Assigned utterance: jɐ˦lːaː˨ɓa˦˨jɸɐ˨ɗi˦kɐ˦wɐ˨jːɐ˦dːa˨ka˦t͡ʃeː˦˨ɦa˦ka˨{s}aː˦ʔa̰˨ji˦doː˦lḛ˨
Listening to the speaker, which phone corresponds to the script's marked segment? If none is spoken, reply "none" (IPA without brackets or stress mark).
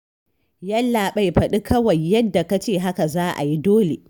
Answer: z